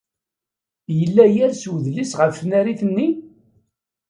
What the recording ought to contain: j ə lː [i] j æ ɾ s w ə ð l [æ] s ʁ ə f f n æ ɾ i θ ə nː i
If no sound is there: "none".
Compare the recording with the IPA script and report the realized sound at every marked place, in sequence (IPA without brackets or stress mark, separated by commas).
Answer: æ, i